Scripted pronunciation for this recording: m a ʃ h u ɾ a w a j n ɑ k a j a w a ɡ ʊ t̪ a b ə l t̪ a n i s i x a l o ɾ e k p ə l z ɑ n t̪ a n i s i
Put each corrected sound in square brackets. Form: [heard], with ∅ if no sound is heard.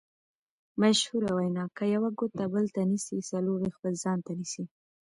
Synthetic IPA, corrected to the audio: m a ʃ h u ɾ a w a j n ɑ k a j a w a ɡ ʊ t̪ a b ə l t̪ a n i s i [s] a l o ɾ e [x] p ə l z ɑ n t̪ a n i s i